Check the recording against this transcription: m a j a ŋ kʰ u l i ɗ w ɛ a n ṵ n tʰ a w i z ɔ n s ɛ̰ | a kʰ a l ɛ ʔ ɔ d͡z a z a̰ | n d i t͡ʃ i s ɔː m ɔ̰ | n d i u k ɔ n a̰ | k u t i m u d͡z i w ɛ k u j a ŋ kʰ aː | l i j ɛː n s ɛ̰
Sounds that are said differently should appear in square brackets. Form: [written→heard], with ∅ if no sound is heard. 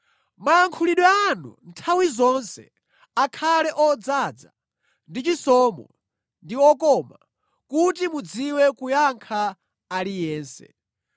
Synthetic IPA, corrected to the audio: m a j a ŋ kʰ u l i ɗ w ɛ a n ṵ n tʰ a w i z ɔ n s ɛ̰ | a kʰ a l ɛ ʔ ɔ d͡z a [z→d͡z] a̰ | n d i t͡ʃ i s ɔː m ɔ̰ | n d i [u→ɔ] k ɔ [n→m] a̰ | k u t i m u d͡z i w ɛ k u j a ŋ kʰ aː | l i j ɛː n s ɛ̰